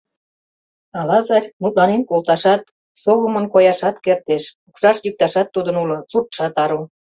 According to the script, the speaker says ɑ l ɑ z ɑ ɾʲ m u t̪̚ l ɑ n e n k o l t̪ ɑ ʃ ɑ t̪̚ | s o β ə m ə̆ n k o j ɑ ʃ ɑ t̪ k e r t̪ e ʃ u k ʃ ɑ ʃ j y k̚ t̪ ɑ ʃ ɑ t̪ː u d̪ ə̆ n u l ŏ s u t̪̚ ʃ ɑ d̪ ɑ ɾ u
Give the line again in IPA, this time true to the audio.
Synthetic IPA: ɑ l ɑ z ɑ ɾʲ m u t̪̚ l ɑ n e n k o l t̪ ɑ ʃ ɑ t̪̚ | s o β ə m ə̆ n k o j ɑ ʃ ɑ t̪ k e r t̪ e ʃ u k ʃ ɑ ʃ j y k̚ t̪ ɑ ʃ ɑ t̪ː u d̪ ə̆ n u l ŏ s u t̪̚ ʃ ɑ t̪ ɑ ɾ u